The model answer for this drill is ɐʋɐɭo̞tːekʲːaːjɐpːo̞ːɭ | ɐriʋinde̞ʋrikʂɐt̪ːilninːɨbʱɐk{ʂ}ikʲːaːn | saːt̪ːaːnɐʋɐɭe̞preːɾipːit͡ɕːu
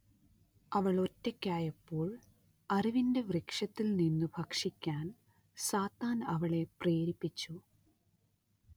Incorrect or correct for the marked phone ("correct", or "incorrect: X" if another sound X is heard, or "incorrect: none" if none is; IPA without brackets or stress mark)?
correct